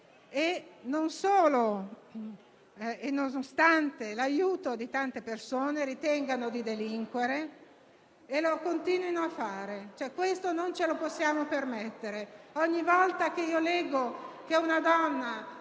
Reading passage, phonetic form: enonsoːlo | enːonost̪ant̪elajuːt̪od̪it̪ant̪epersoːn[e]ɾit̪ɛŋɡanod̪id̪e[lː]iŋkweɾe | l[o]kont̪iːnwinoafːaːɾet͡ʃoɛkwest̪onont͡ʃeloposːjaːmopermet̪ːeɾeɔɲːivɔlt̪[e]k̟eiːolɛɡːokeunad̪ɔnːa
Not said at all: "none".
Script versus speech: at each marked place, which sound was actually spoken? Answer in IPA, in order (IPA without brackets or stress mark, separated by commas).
e, l, o, a